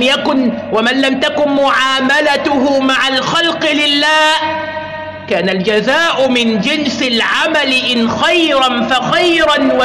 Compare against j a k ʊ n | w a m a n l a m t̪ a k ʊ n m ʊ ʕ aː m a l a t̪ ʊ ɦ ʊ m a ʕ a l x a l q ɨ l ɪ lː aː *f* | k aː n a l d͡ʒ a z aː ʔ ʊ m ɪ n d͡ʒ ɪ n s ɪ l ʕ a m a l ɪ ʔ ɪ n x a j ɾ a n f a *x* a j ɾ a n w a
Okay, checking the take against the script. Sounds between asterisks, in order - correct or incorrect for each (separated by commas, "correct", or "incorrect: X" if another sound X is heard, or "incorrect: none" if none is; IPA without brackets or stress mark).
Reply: incorrect: h, correct